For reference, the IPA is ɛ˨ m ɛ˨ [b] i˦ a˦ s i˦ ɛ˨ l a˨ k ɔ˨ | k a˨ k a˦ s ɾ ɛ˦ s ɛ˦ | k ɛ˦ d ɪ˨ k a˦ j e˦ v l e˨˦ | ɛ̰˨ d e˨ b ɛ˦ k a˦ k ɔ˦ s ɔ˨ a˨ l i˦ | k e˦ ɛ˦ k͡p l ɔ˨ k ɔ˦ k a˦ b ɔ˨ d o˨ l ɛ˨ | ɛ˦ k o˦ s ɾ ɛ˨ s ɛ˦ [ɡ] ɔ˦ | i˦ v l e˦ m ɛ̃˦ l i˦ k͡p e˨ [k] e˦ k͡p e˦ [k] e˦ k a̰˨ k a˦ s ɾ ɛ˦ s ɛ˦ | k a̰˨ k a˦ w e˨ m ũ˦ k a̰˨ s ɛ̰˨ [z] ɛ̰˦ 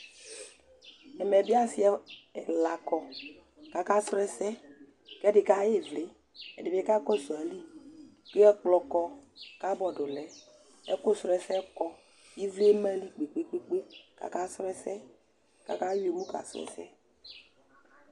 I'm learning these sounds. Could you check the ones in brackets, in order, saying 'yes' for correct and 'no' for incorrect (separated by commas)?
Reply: yes, no, no, no, no